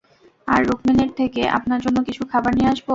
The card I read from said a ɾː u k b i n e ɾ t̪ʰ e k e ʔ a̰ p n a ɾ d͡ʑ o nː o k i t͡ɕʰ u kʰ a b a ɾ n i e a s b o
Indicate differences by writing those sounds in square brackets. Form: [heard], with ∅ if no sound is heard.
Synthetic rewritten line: a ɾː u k [m] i n e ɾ t̪ʰ e k e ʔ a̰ p n a ɾ d͡ʑ o nː o k i t͡ɕʰ u kʰ a b a ɾ n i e a [ʃ] b o